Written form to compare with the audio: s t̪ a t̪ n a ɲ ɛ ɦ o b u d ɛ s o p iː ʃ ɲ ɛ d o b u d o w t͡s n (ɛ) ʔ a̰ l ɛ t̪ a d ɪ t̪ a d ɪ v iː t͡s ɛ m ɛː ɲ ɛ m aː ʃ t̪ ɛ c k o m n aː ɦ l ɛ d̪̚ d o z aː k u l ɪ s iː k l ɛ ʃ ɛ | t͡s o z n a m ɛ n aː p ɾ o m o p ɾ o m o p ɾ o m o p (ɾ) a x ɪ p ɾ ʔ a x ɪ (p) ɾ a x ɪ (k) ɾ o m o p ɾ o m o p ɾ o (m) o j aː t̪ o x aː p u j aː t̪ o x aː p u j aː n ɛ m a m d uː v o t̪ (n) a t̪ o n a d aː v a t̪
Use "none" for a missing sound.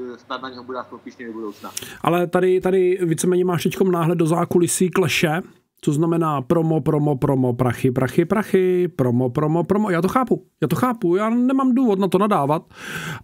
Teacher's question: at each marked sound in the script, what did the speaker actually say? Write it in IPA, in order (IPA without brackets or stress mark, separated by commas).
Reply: a, ɾ, p, p, m, n